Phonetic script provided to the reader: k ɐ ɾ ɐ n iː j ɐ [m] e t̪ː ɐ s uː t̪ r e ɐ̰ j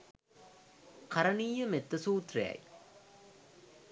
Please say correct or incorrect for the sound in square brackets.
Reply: correct